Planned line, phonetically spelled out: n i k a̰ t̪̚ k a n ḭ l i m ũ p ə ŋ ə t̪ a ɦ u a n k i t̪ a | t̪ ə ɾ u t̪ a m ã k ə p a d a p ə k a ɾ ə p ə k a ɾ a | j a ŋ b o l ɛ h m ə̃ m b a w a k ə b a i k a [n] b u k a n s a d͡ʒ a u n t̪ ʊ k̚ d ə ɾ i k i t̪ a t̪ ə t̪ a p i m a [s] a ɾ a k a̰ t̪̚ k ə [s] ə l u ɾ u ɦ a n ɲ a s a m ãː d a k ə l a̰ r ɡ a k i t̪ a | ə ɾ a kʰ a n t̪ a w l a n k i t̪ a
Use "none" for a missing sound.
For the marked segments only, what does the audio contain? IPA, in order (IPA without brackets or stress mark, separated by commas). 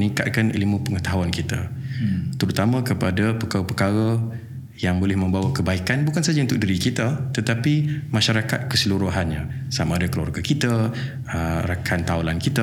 n, ʃ, s